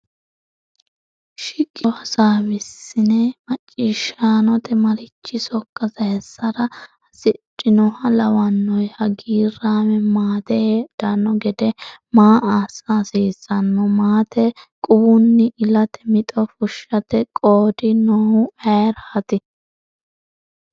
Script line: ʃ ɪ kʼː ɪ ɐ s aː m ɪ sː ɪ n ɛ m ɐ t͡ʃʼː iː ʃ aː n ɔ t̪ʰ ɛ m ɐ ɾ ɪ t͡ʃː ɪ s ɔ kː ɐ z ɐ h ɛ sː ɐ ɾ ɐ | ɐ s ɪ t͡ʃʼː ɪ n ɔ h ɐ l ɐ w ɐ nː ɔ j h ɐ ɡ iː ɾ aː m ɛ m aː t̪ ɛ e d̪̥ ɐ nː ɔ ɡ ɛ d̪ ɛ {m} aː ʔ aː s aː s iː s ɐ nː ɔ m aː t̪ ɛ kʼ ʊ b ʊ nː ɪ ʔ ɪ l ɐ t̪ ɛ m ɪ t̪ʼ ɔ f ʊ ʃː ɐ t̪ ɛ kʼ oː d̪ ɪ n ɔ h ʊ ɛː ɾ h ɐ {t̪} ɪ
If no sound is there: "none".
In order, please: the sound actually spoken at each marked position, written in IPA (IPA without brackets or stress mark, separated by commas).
m, t̪